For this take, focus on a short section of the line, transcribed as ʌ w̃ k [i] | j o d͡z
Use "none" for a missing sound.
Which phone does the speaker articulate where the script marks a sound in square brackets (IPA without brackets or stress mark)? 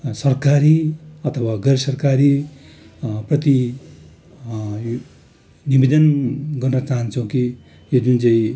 i